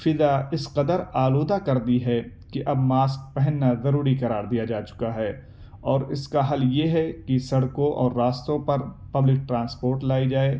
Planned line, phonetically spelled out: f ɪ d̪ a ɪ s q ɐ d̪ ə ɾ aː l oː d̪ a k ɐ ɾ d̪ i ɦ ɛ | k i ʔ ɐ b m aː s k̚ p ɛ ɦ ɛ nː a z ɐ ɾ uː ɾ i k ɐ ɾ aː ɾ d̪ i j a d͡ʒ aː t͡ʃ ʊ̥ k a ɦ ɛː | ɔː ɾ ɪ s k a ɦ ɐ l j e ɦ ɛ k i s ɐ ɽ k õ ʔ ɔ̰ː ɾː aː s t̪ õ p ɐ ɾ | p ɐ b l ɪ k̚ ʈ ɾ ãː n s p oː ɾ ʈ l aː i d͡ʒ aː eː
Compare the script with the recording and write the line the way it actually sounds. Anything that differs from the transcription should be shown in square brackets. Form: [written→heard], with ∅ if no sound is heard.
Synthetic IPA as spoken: f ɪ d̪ a ɪ s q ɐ d̪ ə ɾ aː l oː d̪ a k ɐ ɾ d̪ i ɦ ɛ | k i ʔ ɐ b m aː s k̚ p ɛ ɦ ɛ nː a z ɐ ɾ uː ɾ i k ɐ ɾ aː ɾ d̪ i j a d͡ʒ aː t͡ʃ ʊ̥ k a ɦ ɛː | ɔː ɾ ɪ s k a ɦ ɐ l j e ɦ ɛ k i s ɐ ɽ k õ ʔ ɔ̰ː ɾː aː s t̪ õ p ɐ ɾ | p ɐ b l ɪ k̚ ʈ ɾ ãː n s p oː ɾ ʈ l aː i d͡ʒ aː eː

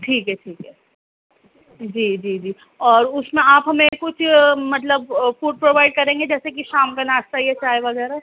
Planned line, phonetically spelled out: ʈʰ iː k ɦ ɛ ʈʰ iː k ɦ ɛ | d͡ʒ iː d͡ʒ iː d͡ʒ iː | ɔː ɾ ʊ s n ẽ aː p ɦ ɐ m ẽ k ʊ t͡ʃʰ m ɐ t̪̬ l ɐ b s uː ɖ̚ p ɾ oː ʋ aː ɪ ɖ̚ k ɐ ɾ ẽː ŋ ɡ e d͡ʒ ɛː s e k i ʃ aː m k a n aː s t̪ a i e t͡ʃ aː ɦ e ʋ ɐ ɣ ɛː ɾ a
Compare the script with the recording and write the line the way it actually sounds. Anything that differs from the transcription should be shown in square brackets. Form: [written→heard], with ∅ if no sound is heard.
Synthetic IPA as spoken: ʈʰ iː k ɦ ɛ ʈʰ iː k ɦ ɛ | d͡ʒ iː d͡ʒ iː d͡ʒ iː | ɔː ɾ ʊ s [n→m] ẽ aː p ɦ ɐ m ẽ k ʊ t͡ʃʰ m ɐ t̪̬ l [ɐ→ə] b [s→f] uː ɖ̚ p ɾ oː ʋ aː ɪ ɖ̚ k ɐ ɾ ẽː ŋ ɡ e d͡ʒ ɛː s e k i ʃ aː m k a n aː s t̪ a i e t͡ʃ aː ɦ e ʋ ɐ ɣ ɛː ɾ a

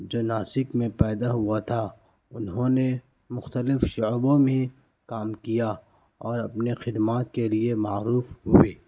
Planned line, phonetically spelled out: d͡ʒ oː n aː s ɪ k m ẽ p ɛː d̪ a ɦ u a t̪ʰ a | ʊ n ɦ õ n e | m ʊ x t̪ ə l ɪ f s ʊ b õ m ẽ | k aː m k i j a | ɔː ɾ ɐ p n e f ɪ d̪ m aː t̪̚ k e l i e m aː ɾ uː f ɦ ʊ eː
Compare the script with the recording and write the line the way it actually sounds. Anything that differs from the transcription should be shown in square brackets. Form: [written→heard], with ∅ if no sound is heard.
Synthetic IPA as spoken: d͡ʒ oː n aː s ɪ k m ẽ p ɛː d̪ a ɦ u a t̪ʰ a | ʊ n ɦ õ n e | m ʊ x t̪ ə l ɪ f [s→ʃ] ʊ b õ m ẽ | k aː m k i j a | ɔː ɾ ɐ p n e [f→x] ɪ d̪ m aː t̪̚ k e l i e m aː ɾ uː f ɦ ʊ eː

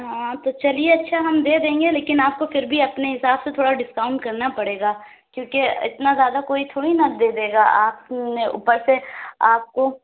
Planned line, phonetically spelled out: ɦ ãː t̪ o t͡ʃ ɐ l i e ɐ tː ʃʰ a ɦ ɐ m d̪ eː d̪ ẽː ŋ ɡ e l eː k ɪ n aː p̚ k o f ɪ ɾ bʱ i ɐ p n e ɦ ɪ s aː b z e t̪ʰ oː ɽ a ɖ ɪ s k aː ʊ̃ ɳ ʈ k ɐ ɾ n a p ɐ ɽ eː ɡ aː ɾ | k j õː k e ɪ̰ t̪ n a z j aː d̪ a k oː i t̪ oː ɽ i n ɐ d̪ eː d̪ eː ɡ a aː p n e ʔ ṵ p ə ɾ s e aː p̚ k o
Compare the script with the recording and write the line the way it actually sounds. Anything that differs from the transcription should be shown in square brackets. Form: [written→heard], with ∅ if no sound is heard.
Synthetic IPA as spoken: ɦ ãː t̪ o t͡ʃ ɐ l i e ɐ tː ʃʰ a ɦ ɐ m d̪ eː d̪ ẽː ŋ ɡ e l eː k ɪ n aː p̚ k o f ɪ ɾ bʱ i ɐ p n e ɦ ɪ s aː b [z→s] e t̪ʰ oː ɽ a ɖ ɪ s k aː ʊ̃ ɳ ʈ k ɐ ɾ n a p ɐ ɽ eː ɡ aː [ɾ→∅] | k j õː k e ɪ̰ t̪ n a z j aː d̪ a k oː i [t̪→t̪ʰ] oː ɽ i n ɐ d̪ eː d̪ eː ɡ a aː p n e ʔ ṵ p ə ɾ s e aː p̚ k o

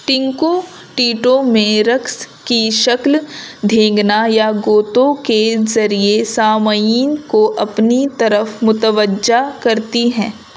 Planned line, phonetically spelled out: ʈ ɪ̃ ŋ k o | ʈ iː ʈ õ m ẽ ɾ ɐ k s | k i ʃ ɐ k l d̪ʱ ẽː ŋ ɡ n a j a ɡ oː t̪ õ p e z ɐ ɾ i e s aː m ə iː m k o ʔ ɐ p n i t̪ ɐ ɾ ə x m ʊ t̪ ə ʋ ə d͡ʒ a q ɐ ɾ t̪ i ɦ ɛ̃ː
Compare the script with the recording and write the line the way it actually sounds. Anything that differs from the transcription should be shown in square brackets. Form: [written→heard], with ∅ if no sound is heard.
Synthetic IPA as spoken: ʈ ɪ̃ ŋ k o | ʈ iː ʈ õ m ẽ ɾ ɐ k s | k i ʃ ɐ k l d̪ʱ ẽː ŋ ɡ n a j a ɡ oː t̪ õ [p→k] e z ɐ ɾ i e s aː m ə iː [m→n] k o ʔ ɐ p n i t̪ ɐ ɾ ə [x→f] m ʊ t̪ ə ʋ ə d͡ʒ a [q→k] ɐ ɾ t̪ i ɦ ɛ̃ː

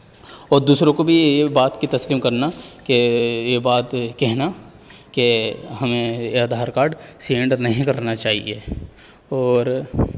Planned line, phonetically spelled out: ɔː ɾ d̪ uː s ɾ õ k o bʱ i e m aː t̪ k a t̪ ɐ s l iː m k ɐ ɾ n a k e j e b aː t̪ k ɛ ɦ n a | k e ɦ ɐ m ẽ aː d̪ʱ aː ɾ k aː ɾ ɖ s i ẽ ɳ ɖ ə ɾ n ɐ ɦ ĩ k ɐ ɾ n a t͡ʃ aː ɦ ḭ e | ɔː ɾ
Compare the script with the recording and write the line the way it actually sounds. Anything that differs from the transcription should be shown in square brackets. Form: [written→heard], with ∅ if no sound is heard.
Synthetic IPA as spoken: ɔː ɾ d̪ uː s ɾ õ k o bʱ i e [m→b] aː t̪ k [a→i] t̪ ɐ s l iː m k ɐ ɾ n a k e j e b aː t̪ k ɛ ɦ n a | k e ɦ ɐ m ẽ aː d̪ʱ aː ɾ k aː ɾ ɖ s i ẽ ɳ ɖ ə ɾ n ɐ ɦ ĩ k ɐ ɾ n a t͡ʃ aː ɦ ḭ e | ɔː ɾ

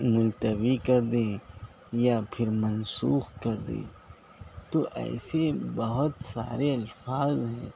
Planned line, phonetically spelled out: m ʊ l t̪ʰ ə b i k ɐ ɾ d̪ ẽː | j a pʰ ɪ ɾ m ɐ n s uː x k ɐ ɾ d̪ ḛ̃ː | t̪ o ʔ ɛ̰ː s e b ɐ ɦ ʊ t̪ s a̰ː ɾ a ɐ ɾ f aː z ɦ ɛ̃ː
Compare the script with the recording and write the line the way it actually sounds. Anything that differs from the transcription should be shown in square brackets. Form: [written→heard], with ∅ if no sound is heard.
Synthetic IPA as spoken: m ʊ l [t̪ʰ→t̪] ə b i k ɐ ɾ d̪ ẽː | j a pʰ ɪ ɾ m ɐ n s uː x k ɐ ɾ d̪ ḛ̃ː | t̪ o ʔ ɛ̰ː s e b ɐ ɦ ʊ t̪ s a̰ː ɾ [a→e] ɐ [ɾ→l] f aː z ɦ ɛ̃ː

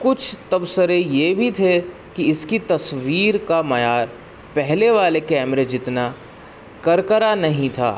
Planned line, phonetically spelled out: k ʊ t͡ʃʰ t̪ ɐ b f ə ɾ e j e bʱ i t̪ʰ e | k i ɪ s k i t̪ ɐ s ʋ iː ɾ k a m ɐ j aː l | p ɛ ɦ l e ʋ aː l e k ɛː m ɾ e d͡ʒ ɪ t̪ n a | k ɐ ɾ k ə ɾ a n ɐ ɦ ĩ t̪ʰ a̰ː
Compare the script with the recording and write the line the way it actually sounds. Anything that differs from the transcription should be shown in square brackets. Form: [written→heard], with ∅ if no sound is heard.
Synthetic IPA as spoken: k ʊ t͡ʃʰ t̪ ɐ b [f→s] ə ɾ e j e bʱ i t̪ʰ e | k i ɪ s k i t̪ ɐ s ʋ iː ɾ k a m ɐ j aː [l→ɾ] | p ɛ ɦ l e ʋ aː l e k ɛː m ɾ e d͡ʒ ɪ t̪ n a | k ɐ ɾ k ə ɾ a n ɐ ɦ ĩ t̪ʰ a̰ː

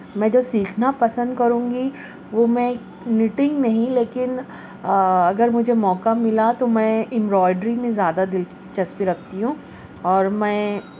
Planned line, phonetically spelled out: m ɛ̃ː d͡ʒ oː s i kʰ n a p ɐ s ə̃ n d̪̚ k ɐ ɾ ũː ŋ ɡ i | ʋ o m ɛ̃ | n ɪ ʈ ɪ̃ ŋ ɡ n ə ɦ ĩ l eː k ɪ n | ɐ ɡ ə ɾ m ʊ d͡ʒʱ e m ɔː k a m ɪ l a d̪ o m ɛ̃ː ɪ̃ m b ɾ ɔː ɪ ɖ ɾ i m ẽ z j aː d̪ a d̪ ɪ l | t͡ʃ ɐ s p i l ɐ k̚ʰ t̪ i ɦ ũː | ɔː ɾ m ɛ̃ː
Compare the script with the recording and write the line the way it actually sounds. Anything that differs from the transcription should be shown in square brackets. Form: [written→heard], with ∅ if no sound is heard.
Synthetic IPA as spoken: m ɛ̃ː d͡ʒ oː s [i→iː] kʰ n a p ɐ s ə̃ n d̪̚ k ɐ ɾ ũː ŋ ɡ i | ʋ o m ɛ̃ | n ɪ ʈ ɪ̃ ŋ ɡ n [ə→ɐ] ɦ ĩ l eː k ɪ n | ɐ ɡ ə ɾ m ʊ d͡ʒʱ e m ɔː k a m ɪ l a [d̪→t̪] o m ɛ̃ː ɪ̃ m b ɾ ɔː ɪ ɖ ɾ i m ẽ z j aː d̪ a d̪ ɪ l | t͡ʃ ɐ s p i [l→ɾ] ɐ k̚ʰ t̪ i ɦ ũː | ɔː ɾ m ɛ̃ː

